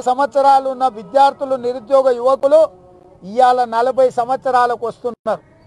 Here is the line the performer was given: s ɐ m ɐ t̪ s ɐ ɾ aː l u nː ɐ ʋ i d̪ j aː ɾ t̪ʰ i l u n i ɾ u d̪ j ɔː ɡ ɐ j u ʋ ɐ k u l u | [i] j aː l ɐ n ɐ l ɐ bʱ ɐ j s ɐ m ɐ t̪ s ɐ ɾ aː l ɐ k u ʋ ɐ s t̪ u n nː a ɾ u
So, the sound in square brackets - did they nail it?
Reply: yes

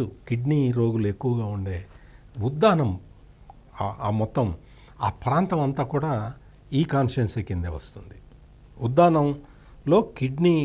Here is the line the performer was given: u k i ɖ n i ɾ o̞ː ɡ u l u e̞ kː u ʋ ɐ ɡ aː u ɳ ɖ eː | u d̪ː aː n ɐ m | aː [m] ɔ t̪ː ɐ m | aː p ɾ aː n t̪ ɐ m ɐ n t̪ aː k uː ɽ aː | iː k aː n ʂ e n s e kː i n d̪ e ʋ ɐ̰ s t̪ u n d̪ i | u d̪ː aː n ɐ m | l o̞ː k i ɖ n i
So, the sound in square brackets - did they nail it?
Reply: yes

